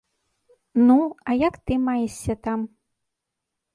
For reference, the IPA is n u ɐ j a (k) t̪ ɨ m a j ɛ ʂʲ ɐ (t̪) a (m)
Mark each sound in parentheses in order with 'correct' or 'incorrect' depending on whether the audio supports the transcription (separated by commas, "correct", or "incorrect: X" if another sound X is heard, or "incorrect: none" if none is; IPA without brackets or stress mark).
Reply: correct, correct, correct